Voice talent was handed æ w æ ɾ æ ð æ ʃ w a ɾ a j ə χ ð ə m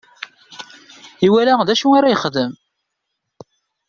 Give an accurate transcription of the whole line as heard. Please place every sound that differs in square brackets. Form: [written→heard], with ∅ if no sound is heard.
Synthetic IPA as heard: [æ→i] w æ [ɾ→l] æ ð æ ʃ [w→u] a ɾ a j ə χ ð ə m